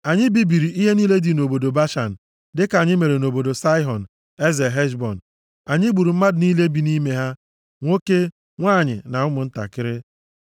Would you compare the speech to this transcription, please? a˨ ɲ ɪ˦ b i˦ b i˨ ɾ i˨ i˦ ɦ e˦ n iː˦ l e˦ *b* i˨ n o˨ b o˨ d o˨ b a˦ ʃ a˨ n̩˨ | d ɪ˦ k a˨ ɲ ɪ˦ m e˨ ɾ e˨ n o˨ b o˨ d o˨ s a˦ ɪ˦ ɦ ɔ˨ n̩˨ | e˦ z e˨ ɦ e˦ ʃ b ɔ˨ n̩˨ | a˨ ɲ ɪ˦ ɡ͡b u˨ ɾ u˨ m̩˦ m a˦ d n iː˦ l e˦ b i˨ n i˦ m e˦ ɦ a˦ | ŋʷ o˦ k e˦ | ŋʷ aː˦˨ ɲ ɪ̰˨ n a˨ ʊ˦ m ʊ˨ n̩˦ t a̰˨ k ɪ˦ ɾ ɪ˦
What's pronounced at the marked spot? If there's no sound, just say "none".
d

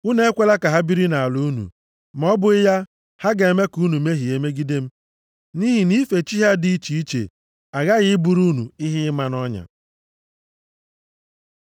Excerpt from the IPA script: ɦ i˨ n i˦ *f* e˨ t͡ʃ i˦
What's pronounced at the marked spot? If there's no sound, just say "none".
f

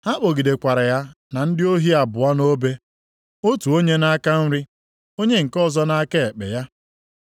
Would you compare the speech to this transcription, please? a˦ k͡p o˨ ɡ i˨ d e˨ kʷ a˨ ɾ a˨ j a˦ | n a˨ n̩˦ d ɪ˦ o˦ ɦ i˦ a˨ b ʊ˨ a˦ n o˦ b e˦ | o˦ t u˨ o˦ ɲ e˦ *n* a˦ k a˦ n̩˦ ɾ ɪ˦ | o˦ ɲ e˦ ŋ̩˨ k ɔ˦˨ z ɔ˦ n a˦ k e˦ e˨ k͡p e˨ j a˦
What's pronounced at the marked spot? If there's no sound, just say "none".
n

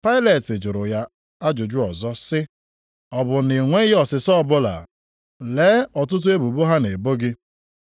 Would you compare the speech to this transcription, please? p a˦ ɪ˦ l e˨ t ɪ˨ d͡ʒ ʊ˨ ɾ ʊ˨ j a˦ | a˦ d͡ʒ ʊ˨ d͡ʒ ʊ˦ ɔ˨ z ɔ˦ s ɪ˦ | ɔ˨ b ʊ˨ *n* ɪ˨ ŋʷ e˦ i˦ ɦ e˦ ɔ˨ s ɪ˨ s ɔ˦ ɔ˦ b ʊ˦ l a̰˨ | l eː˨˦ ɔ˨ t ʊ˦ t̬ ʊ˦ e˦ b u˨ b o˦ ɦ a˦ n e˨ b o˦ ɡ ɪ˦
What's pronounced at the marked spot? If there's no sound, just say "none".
n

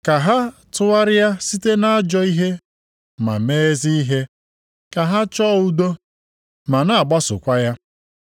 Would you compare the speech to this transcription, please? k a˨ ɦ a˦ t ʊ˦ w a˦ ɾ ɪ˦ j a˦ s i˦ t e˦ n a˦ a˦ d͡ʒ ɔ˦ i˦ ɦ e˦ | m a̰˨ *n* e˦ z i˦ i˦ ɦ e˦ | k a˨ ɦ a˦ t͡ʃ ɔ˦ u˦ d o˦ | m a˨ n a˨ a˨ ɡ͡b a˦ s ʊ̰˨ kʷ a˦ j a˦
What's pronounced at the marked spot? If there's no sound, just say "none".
m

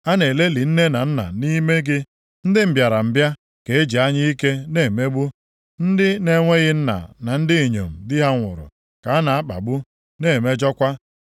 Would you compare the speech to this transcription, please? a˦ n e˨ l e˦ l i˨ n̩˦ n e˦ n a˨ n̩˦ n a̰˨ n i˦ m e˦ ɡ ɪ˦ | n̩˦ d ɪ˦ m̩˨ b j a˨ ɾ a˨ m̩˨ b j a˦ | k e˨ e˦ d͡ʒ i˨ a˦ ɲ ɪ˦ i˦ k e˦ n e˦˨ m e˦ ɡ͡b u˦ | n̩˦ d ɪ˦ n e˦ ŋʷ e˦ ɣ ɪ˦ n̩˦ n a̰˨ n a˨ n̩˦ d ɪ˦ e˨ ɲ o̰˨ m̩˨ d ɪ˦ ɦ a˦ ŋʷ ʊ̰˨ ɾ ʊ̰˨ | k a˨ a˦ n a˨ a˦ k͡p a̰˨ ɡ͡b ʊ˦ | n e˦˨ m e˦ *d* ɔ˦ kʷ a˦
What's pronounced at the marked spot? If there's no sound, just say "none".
d͡ʒ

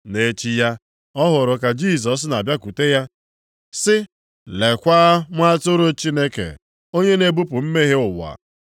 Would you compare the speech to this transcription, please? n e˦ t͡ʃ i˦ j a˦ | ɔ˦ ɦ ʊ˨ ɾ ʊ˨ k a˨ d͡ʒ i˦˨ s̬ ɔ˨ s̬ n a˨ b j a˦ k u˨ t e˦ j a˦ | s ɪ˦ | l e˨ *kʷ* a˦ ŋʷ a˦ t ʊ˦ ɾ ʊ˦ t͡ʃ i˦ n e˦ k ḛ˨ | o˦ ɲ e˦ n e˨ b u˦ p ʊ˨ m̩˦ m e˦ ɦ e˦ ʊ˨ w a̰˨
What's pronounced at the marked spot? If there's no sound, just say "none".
kʷ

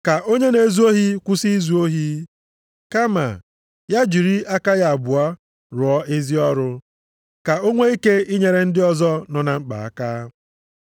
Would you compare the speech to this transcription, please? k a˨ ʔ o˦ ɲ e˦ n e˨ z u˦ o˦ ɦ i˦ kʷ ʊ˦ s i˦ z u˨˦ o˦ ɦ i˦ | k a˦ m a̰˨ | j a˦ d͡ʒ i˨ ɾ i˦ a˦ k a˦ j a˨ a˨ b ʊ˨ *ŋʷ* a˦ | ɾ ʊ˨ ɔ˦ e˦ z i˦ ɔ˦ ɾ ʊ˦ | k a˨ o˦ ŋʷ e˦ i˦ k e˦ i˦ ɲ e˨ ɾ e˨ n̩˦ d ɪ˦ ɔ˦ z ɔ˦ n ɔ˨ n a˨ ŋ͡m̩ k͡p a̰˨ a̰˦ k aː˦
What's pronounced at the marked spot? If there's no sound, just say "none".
none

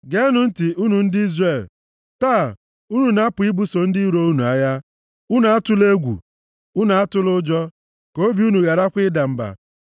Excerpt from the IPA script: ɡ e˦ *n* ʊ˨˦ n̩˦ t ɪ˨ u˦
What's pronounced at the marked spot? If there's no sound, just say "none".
n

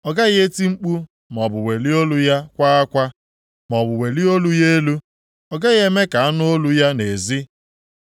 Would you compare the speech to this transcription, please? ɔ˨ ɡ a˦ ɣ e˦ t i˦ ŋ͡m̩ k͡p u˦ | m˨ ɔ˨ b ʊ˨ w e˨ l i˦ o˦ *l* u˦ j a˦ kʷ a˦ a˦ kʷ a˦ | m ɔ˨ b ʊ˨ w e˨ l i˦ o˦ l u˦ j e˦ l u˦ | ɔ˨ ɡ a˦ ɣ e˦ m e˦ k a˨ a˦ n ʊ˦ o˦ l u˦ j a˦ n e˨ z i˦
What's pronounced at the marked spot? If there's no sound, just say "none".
l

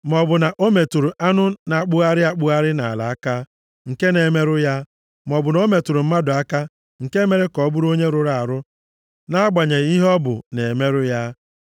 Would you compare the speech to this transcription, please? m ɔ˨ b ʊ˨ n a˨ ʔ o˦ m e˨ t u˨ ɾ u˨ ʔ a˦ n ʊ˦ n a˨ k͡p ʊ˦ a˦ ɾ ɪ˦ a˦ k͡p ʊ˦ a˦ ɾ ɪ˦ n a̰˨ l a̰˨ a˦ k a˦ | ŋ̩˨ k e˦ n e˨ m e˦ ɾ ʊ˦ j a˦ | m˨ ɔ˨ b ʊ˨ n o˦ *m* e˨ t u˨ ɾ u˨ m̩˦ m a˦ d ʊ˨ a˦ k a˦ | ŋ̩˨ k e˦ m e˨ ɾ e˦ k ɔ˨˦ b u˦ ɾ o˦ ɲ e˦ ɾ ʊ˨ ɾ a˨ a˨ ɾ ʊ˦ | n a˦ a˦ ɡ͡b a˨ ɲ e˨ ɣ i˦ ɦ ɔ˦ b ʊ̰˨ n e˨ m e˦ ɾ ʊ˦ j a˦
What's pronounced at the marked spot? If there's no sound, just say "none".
m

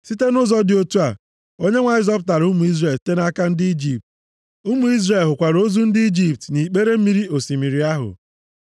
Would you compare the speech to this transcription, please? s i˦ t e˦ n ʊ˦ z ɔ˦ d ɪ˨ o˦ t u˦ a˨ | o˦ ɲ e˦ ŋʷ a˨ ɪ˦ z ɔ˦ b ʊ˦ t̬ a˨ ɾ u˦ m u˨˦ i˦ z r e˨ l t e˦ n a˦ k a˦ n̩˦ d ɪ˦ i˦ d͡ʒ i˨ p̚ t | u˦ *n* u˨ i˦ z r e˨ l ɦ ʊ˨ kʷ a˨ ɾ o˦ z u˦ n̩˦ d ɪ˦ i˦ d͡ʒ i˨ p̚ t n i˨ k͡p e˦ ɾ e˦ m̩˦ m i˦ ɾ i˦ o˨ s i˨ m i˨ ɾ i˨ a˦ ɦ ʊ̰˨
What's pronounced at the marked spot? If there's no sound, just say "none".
m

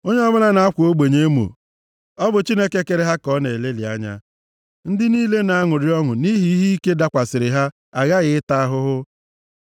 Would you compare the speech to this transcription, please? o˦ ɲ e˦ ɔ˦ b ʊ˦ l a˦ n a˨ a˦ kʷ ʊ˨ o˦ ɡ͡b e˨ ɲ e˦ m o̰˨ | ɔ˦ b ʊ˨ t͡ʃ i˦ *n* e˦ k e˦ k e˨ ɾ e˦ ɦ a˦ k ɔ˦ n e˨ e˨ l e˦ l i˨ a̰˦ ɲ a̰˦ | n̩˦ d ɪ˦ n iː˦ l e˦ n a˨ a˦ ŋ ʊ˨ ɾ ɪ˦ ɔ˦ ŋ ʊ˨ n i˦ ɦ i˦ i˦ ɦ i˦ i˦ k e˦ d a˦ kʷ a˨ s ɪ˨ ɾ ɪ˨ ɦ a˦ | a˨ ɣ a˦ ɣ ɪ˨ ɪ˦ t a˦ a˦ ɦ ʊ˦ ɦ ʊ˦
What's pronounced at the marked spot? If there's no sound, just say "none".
n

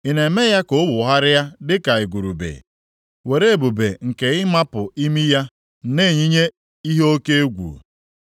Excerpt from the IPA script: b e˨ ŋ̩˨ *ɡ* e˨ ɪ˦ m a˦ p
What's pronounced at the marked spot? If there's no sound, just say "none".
k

